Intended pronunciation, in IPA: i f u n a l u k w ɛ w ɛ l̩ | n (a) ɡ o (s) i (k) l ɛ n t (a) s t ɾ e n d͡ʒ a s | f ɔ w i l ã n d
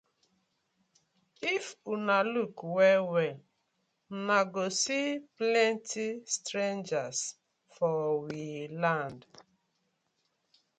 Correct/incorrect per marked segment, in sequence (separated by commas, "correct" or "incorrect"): correct, correct, incorrect, incorrect